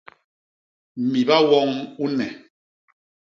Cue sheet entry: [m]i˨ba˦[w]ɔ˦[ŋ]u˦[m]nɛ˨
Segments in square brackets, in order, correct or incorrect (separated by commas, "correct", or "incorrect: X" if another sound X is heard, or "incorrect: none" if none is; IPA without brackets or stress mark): correct, correct, correct, incorrect: none